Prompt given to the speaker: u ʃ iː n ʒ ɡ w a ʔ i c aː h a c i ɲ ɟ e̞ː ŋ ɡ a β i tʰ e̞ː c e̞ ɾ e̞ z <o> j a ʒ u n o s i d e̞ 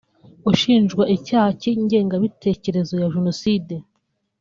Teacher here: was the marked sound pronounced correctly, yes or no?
yes